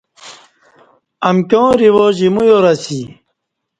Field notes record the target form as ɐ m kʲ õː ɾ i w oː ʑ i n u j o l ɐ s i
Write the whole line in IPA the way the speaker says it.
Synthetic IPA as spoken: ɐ m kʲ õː ɾ i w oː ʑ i m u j o ɾ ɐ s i